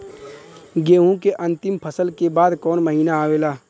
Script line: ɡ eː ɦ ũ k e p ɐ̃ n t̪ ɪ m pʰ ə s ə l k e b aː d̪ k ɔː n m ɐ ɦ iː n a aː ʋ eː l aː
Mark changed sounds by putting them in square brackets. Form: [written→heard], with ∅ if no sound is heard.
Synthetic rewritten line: ɡ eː ɦ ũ k e [p→ʔ] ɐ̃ n t̪ ɪ m pʰ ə s ə l k e b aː d̪ k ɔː n m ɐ ɦ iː n a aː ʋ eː l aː